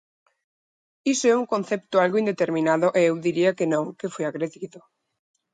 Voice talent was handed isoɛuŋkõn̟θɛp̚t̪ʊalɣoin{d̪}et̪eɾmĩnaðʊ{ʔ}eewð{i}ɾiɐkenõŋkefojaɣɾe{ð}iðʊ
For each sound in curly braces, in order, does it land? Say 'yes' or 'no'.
yes, yes, yes, yes

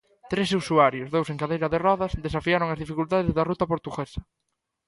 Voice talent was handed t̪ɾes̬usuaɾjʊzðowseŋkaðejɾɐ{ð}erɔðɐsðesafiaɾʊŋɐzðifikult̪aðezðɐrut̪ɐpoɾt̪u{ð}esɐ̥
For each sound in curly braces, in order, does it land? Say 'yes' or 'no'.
yes, no

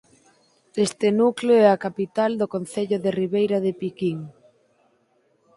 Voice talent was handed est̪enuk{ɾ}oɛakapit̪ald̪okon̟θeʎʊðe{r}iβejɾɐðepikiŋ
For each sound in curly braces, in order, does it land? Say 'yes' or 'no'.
no, yes

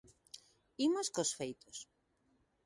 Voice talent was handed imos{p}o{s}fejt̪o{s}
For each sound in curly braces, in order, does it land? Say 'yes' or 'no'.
no, yes, yes

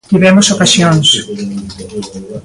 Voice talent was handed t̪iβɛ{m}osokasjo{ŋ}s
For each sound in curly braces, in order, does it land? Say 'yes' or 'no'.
yes, no

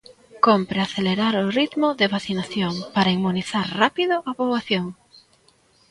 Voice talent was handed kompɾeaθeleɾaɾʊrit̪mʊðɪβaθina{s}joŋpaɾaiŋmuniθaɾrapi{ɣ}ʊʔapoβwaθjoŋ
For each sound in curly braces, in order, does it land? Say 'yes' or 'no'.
no, no

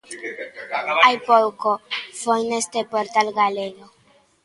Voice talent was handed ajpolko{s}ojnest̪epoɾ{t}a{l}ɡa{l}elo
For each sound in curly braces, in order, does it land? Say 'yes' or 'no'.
no, yes, yes, yes

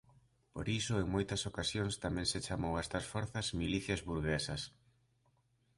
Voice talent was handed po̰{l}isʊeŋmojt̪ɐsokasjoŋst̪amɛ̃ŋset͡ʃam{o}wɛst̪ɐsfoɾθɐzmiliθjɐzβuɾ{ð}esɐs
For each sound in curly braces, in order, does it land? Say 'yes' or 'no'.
no, yes, no

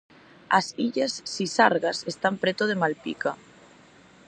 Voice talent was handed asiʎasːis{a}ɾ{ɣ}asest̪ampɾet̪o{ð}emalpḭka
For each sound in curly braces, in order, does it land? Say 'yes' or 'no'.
yes, yes, yes

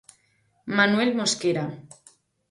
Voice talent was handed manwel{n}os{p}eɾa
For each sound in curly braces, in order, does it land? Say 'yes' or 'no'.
no, no

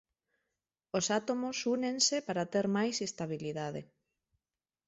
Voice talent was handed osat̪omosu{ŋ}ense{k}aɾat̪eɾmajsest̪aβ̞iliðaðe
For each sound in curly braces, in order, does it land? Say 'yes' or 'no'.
no, no

